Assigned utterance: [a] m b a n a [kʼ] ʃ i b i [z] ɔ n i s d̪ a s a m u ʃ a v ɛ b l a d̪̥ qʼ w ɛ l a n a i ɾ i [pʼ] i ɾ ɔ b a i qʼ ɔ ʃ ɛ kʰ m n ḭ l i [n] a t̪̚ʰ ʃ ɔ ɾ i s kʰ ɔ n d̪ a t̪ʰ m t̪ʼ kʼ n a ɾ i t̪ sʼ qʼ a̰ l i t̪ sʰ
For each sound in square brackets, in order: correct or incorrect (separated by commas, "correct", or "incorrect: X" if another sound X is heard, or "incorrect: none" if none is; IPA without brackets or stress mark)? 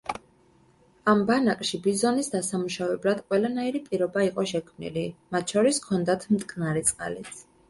correct, correct, correct, correct, incorrect: m